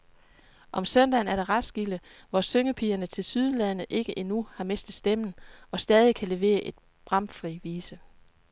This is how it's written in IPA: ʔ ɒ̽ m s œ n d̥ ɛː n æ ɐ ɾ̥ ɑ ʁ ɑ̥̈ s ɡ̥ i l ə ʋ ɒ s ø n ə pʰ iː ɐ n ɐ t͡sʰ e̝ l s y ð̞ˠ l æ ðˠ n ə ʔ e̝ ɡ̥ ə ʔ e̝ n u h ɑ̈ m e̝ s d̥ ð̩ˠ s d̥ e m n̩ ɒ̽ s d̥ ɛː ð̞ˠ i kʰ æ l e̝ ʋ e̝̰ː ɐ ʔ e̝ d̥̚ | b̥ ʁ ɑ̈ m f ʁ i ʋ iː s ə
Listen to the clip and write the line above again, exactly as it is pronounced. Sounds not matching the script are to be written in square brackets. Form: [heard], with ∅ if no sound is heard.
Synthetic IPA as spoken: ʔ ɒ̽ m s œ n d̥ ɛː n æ ɐ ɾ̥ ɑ ʁ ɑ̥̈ s ɡ̥ i l ə ʋ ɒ s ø [ŋ] ə pʰ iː ɐ n [ə] t͡sʰ e̝ l s y ð̞ˠ l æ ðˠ n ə ʔ e̝ ɡ̥ ə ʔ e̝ n u h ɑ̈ m e̝ s d̥ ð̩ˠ s d̥ e m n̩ ɒ̽ s d̥ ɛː ð̞ˠ i kʰ æ l e̝ ʋ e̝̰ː ɐ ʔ e̝ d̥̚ | b̥ ʁ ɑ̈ m f ʁ i ʋ iː s ə